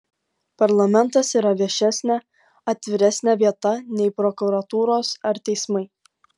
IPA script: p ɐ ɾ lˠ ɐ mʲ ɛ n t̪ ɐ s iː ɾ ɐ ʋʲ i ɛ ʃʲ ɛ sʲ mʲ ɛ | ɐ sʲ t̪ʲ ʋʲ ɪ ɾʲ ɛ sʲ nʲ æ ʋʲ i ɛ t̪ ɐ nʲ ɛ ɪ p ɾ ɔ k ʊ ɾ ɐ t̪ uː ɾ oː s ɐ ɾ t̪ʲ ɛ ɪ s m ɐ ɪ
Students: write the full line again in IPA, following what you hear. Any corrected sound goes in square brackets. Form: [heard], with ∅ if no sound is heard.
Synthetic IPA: p ɐ ɾ lˠ ɐ mʲ ɛ n t̪ ɐ s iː ɾ ɐ ʋʲ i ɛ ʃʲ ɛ sʲ [nʲ] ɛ | ɐ [∅] t̪ʲ ʋʲ ɪ ɾʲ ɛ sʲ nʲ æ ʋʲ i ɛ t̪ ɐ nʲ ɛ ɪ p ɾ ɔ k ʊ ɾ ɐ t̪ uː ɾ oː s ɐ ɾ t̪ʲ ɛ ɪ s m ɐ ɪ